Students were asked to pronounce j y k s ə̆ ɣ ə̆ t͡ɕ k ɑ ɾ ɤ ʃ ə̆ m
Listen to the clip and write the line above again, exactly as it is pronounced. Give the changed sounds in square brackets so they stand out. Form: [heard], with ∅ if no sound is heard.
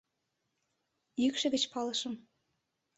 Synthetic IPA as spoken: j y k [ʃ] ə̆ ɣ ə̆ t͡ɕ [p] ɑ [l] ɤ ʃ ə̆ m